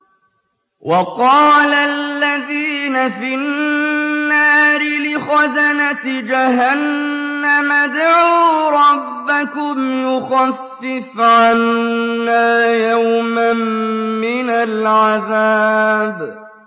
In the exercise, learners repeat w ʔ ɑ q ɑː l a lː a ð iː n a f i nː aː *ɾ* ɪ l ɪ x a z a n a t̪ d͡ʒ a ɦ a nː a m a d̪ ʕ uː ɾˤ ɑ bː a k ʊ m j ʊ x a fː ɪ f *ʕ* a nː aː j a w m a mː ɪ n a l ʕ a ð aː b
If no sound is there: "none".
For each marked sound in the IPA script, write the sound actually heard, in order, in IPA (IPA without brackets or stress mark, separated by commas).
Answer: ɾ, ʕ